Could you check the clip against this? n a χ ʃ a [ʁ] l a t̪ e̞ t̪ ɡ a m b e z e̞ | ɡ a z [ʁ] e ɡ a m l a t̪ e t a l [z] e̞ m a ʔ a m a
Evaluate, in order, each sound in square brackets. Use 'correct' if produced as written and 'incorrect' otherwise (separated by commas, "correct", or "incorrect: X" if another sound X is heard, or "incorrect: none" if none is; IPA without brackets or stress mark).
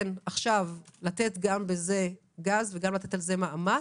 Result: incorrect: v, incorrect: v, correct